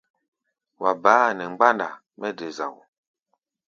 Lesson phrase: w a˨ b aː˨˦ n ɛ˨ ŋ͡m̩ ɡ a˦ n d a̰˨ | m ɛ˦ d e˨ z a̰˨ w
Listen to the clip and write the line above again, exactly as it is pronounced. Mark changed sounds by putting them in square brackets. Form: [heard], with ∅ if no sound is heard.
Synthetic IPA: w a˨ b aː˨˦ n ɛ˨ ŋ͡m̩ [ɡ͡b] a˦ n d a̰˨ | m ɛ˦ d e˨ z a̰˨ w